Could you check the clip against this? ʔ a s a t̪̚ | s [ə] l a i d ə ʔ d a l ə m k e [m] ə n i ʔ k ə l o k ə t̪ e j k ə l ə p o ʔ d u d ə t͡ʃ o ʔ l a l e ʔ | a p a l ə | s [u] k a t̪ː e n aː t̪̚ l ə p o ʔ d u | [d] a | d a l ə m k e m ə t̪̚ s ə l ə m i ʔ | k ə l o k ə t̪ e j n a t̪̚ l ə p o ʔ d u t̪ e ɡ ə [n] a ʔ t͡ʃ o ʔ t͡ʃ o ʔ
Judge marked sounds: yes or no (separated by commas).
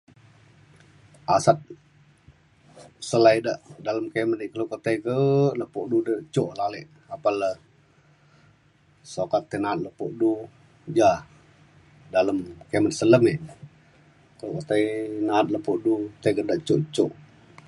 yes, yes, no, no, no